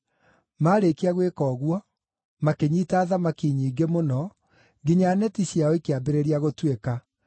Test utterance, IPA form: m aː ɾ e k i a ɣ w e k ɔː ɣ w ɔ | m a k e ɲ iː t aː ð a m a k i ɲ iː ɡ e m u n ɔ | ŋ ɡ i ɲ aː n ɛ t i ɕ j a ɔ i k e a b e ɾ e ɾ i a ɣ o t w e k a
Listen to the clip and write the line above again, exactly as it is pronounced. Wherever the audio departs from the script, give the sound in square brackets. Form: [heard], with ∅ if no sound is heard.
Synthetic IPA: m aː ɾ e k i a ɣ w e k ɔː ɣ w ɔ | m a k e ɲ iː t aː ð a m a k i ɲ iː ɡ e m [o] n ɔ | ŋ ɡ i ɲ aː n ɛ t i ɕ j a ɔ i k e a b e ɾ e ɾ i a ɣ o t w e k a